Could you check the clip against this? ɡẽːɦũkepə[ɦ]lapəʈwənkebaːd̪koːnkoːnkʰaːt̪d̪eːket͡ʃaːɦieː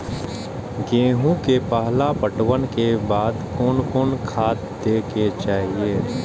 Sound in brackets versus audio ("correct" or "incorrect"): correct